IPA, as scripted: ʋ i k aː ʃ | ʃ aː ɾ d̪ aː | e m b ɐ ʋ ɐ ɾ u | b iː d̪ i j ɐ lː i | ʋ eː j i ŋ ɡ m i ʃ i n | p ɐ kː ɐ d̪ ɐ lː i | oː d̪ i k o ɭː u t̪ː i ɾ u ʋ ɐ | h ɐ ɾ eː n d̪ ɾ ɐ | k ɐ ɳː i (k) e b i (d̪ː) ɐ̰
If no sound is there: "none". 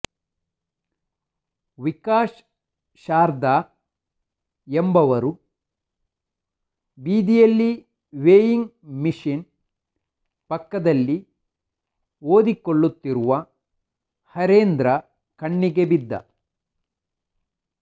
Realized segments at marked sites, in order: ɡ, d̪ː

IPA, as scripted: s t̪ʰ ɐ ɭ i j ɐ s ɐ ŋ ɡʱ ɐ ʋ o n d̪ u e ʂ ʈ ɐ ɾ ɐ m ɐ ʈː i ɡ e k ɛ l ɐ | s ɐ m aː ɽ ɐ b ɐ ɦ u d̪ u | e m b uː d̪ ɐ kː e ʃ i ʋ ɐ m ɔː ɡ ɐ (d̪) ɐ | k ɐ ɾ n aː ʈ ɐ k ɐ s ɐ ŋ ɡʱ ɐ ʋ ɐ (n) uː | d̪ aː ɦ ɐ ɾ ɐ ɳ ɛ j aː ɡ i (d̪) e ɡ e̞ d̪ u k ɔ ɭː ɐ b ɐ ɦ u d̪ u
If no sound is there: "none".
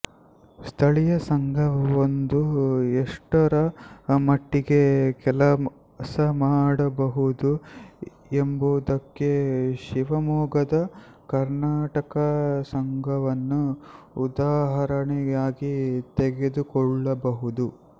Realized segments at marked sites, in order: d̪, nː, t̪

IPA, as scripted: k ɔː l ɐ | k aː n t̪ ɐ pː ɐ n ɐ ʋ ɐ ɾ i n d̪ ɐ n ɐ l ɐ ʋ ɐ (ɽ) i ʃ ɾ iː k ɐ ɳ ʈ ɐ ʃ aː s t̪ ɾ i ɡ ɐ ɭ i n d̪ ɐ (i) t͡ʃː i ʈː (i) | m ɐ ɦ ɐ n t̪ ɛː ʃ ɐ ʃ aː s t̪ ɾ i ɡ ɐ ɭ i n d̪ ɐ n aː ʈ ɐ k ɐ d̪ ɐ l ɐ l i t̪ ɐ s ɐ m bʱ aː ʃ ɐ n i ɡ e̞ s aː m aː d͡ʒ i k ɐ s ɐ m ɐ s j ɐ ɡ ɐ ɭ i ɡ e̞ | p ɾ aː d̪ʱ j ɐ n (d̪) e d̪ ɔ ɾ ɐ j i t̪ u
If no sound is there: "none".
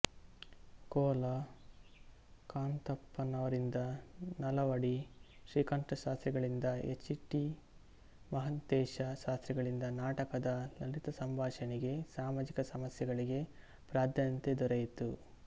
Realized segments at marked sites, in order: ɽ, e, i, t̪

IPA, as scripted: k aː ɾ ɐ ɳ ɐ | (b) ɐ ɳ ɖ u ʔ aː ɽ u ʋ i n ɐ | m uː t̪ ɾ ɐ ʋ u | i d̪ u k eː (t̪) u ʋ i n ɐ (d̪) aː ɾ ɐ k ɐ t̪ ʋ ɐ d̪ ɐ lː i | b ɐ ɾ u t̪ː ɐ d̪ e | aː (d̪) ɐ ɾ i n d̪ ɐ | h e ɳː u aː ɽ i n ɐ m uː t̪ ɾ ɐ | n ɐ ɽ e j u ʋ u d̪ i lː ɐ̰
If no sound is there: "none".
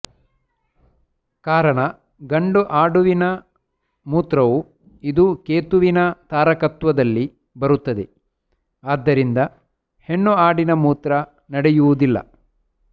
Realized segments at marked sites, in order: ɡ, t̪, t̪, d̪ː

